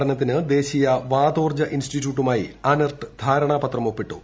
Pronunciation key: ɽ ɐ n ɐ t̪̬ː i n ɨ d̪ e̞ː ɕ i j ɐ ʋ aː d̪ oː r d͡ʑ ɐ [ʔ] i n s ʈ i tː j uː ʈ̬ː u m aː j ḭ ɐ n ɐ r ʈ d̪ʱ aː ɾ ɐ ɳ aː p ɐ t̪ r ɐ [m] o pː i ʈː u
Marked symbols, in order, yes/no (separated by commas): yes, yes